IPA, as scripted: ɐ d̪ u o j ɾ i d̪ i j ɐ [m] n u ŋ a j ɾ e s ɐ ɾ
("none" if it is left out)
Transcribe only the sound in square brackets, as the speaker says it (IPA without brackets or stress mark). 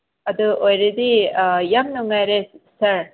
m